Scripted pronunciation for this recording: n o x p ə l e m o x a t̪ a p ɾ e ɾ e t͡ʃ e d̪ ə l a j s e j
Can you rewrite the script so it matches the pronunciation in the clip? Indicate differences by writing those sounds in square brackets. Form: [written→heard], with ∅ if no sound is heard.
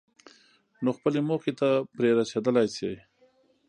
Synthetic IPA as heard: n o x p ə l e m o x [a→e] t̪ a p ɾ e ɾ [e→a] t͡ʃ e d̪ ə l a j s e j